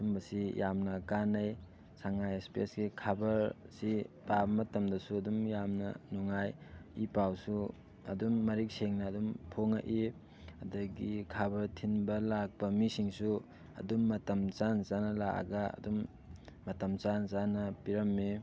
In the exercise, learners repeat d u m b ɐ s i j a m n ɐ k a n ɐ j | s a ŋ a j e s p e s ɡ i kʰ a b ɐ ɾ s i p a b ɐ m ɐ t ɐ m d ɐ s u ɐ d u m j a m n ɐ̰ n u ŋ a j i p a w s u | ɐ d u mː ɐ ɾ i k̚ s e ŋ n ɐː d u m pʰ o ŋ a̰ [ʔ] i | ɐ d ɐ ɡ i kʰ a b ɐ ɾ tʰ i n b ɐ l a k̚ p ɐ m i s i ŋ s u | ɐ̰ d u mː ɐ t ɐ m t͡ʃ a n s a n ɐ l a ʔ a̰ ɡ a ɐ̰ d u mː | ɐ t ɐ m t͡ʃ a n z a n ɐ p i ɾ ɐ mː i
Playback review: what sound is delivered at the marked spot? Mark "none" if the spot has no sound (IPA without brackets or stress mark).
ʔ